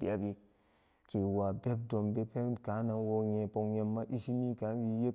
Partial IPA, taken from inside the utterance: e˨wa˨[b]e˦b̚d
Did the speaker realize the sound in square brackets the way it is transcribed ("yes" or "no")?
yes